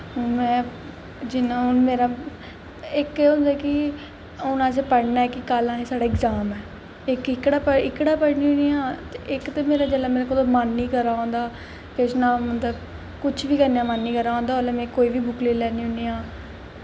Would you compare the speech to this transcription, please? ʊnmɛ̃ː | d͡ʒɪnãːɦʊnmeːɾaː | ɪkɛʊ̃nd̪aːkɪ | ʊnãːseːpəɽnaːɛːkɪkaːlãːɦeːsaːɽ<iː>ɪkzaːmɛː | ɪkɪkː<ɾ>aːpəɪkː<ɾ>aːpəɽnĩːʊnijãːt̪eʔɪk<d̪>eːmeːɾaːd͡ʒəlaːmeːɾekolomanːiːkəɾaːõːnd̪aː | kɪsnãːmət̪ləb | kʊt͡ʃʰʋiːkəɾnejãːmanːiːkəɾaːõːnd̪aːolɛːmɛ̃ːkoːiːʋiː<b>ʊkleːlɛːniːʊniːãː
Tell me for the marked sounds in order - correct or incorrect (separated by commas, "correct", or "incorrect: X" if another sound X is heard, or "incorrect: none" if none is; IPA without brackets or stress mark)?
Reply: incorrect: aː, incorrect: ɽ, incorrect: ɽ, incorrect: t̪, correct